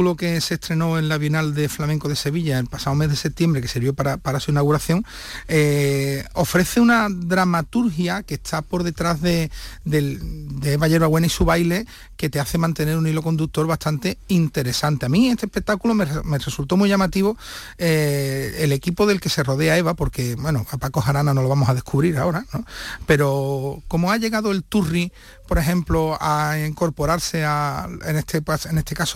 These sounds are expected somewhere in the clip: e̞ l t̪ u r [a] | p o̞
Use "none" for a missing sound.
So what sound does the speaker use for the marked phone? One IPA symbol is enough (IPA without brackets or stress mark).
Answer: i